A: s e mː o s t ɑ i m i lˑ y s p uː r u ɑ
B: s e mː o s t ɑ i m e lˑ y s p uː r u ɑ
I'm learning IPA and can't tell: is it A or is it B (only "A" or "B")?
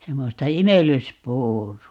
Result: B